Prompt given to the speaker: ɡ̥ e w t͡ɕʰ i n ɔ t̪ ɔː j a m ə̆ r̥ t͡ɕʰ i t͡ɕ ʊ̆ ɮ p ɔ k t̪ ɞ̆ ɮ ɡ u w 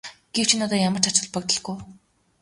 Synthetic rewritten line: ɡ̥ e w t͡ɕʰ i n ɔ t̪ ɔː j a m ə̆ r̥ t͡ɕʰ a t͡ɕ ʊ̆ ɮ p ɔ k t̪ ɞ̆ ɮ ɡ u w